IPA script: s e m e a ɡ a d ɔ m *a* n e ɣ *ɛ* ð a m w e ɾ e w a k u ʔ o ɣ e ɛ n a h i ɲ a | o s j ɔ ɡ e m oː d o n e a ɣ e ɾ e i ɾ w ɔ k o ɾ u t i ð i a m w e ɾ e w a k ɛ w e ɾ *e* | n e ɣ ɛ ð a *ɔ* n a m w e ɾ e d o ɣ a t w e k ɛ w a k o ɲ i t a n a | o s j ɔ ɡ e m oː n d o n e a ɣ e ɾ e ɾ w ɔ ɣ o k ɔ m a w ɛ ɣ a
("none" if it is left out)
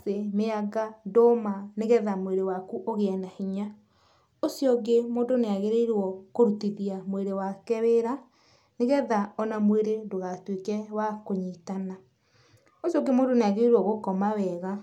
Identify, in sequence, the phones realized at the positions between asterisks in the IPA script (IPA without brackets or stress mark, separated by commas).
a, ɛ, a, ɔ